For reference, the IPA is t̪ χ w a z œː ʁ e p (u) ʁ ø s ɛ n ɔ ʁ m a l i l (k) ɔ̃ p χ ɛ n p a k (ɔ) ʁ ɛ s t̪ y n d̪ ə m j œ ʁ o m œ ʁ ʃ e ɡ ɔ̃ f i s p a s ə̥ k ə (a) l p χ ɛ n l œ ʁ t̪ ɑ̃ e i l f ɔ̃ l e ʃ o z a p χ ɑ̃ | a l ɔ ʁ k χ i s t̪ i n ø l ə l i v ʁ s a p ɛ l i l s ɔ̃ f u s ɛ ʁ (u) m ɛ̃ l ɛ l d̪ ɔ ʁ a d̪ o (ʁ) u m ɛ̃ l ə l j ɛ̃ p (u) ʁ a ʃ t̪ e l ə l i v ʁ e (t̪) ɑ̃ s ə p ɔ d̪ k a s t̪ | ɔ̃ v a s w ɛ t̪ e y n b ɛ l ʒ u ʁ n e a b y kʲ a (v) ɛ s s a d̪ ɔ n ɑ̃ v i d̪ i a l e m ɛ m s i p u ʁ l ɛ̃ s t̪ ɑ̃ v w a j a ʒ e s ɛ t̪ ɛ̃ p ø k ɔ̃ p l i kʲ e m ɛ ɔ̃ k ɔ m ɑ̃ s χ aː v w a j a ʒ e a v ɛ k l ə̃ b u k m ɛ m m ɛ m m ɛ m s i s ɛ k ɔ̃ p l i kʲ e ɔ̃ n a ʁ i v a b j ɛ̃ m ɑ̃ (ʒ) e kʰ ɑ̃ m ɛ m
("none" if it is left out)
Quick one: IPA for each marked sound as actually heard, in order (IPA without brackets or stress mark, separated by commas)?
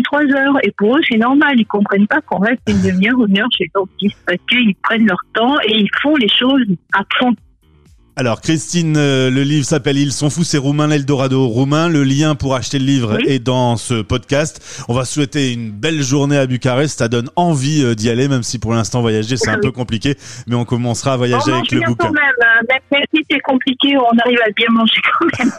u, k, ɔ̃, i, u, ʁ, u, d̪, ʁ, ʒ